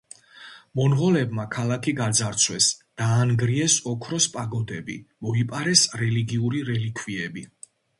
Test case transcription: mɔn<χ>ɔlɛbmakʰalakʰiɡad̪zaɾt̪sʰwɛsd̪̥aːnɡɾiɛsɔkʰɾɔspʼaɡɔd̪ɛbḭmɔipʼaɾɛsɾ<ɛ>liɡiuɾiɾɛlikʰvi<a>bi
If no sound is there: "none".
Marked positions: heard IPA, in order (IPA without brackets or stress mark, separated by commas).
ʁ, ɛ, ɛ